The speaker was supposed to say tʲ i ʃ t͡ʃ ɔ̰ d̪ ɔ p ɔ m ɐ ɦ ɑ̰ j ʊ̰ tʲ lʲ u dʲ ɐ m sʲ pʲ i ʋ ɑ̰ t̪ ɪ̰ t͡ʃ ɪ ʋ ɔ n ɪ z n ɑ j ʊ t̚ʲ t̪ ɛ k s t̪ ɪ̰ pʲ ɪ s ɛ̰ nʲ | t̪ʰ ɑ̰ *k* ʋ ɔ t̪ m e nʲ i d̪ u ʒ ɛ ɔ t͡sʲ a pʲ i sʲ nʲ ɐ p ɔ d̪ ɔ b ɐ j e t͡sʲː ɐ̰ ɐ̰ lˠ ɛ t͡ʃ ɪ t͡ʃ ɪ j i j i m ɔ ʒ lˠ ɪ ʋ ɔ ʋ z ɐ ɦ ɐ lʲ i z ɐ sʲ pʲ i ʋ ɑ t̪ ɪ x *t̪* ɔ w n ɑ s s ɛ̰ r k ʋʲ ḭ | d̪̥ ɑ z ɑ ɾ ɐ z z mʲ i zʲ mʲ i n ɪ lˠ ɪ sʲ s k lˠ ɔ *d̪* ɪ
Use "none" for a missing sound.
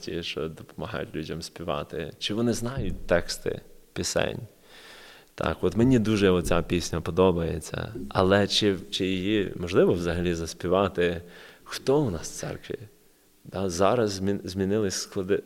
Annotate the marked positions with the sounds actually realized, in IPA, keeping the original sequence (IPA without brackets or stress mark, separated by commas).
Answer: k, t̪, d̪